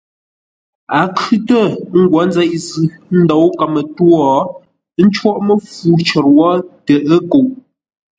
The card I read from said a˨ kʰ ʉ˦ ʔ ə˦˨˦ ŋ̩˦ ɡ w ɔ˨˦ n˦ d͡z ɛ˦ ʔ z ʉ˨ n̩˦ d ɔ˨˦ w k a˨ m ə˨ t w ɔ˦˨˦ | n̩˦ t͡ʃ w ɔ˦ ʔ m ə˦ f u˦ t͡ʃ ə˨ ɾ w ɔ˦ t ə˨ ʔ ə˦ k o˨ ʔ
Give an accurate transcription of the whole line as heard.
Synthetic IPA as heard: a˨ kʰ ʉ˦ t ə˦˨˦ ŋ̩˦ ɡ w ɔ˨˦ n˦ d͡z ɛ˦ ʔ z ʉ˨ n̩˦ d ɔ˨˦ w k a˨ m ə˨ t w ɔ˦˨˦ | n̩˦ t͡ʃ w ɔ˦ ʔ m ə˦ f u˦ t͡ʃ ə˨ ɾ w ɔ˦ t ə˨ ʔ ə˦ k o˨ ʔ